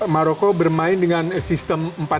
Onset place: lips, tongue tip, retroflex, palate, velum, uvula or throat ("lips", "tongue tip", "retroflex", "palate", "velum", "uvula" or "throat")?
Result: lips